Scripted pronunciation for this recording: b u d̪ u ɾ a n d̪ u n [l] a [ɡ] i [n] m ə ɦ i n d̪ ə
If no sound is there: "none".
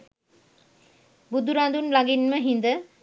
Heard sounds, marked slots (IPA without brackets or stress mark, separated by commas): l, ɡ, n